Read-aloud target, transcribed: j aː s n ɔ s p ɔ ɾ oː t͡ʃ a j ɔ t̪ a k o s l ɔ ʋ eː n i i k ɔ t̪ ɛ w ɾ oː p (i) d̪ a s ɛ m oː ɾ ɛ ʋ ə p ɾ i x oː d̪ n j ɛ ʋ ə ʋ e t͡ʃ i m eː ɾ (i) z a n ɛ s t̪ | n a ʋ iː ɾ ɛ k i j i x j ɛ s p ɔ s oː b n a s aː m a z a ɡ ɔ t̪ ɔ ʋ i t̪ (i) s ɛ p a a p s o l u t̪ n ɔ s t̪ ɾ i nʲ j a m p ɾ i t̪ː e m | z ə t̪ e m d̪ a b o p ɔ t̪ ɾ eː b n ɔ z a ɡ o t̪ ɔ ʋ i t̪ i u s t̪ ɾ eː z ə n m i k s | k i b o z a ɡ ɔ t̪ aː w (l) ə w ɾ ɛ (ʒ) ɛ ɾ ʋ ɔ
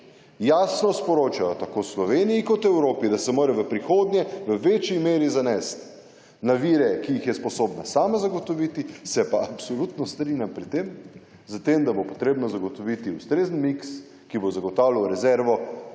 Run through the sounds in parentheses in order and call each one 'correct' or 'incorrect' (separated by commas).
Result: correct, correct, correct, correct, incorrect